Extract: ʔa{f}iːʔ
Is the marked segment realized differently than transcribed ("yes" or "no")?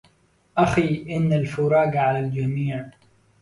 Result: yes